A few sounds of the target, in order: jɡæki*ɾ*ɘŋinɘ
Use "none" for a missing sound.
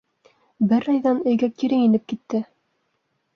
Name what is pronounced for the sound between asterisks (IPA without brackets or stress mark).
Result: ɾ